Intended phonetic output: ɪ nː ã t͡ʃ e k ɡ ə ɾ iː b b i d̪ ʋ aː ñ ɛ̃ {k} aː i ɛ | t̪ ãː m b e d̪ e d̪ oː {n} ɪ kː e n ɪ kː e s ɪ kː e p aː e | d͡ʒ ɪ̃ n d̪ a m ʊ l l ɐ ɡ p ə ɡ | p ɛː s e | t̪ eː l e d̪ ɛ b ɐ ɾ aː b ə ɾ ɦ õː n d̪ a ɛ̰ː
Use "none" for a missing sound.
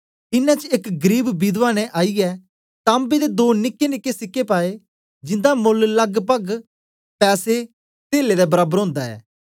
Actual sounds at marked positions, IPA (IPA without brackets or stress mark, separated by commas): ʔ, n